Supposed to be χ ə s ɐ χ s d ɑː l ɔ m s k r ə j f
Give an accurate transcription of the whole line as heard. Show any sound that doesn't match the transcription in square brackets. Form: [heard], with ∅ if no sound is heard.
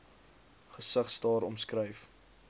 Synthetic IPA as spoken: χ ə s [ə] χ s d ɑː [ɾ] ɔ m s k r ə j f